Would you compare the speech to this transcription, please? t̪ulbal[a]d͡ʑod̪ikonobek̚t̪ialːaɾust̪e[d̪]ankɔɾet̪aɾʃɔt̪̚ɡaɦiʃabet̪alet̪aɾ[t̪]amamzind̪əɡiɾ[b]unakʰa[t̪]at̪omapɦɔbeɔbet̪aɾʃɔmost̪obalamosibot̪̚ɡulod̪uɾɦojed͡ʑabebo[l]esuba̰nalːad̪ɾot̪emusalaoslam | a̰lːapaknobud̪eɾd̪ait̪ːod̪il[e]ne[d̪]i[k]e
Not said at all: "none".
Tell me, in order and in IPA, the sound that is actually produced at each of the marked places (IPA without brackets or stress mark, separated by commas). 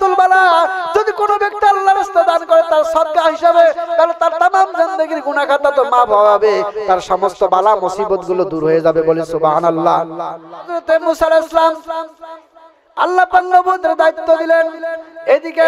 a, d̪, t̪, ɡ, t̪, l, e, d̪, k